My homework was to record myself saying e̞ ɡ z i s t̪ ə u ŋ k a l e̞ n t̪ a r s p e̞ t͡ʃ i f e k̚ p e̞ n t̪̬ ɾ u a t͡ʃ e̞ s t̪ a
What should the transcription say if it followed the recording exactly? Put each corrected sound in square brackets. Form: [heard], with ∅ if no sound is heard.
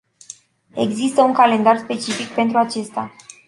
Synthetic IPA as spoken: e̞ ɡ z i s t̪ ə u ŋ k a l e̞ n [d̪] a r s p e̞ t͡ʃ i f [i] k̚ p e̞ n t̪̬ ɾ u a t͡ʃ e̞ s t̪ a